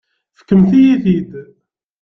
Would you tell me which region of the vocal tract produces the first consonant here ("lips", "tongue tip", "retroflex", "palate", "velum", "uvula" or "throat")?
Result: lips